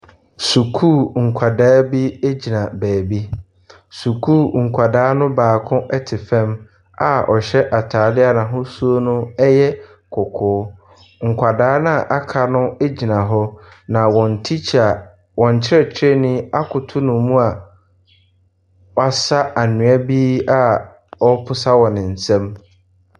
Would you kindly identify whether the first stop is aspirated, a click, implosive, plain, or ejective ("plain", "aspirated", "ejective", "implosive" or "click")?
aspirated